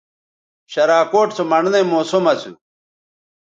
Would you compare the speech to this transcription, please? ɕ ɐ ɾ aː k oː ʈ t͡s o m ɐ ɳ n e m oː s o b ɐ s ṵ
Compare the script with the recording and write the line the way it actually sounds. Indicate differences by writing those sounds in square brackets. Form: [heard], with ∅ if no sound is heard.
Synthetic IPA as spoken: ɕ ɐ ɾ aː k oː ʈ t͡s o m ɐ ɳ n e m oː s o [m] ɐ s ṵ